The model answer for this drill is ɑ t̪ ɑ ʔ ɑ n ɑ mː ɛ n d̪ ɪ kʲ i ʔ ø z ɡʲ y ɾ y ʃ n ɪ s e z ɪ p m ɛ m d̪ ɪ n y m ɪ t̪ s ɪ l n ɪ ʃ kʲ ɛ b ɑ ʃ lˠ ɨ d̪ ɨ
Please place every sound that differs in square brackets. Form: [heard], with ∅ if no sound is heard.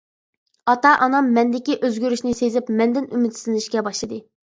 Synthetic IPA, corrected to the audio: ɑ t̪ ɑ ʔ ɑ n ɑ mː ɛ n d̪ ɪ kʲ i ʔ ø z ɡʲ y ɾ y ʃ n ɪ s e z ɪ p m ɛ [n] d̪ ɪ n y m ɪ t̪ s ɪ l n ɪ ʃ kʲ ɛ b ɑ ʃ lˠ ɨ d̪ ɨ